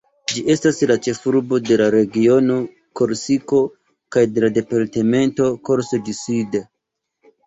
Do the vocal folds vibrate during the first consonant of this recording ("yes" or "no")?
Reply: yes